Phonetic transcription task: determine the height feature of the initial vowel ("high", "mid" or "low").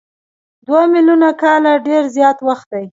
low